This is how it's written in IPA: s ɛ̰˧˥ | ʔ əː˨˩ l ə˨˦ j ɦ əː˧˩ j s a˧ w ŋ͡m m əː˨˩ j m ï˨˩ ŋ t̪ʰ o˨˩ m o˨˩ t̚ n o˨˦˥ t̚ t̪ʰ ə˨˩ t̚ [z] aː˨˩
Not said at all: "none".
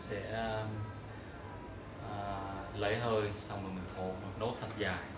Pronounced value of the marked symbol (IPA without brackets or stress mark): z